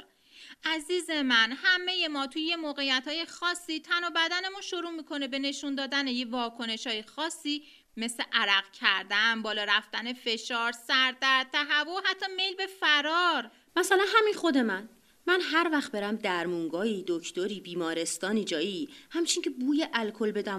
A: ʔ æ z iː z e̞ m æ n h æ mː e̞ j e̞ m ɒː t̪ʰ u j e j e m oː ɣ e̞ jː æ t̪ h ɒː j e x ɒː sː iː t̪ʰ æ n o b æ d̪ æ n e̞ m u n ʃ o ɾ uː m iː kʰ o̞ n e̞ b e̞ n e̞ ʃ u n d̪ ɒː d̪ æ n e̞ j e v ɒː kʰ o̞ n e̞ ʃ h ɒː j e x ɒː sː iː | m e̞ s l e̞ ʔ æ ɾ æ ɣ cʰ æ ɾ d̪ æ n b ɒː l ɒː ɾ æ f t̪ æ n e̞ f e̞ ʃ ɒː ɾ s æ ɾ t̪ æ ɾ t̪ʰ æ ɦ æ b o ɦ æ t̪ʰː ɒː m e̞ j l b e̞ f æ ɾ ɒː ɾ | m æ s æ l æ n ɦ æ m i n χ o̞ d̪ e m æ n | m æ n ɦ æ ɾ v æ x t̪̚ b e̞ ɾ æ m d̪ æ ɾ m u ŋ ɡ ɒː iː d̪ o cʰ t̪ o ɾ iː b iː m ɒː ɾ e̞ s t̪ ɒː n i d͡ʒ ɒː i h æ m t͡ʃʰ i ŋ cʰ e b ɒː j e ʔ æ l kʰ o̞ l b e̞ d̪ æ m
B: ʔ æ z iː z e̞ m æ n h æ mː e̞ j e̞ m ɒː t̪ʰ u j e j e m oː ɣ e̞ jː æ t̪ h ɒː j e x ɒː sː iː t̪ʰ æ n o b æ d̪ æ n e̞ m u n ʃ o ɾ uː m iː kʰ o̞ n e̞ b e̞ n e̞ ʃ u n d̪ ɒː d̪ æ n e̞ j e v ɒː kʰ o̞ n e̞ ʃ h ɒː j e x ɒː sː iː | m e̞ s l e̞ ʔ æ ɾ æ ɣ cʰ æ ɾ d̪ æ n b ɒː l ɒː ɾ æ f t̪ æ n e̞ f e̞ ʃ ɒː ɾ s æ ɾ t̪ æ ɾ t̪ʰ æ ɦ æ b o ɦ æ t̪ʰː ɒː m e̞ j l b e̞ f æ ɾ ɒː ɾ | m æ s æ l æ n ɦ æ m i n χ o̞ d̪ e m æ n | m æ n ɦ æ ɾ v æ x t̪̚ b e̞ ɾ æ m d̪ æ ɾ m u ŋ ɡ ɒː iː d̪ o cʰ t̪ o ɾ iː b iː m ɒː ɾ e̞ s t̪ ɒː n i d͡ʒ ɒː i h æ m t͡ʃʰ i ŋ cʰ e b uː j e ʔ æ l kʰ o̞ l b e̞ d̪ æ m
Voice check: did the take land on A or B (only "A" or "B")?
B